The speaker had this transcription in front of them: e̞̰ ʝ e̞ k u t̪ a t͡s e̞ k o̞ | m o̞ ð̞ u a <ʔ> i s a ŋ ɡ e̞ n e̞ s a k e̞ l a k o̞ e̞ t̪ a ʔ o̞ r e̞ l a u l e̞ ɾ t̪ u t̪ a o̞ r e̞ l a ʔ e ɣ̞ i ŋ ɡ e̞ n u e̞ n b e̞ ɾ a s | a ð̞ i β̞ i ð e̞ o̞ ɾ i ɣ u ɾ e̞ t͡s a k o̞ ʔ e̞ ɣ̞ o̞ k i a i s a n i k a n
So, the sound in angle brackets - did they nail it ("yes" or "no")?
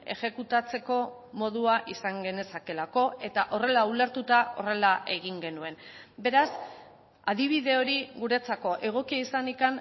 yes